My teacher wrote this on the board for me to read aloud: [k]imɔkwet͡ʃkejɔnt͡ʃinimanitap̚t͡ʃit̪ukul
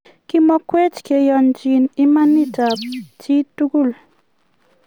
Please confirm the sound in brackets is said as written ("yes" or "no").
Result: yes